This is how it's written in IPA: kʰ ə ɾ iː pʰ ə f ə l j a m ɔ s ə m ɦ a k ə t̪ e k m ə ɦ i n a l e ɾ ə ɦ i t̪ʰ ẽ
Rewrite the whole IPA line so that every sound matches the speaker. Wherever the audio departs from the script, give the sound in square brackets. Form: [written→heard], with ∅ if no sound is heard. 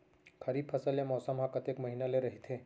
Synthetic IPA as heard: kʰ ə ɾ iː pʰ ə [f→s] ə l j a m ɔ s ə m ɦ a k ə t̪ e k m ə ɦ i n a l e ɾ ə ɦ i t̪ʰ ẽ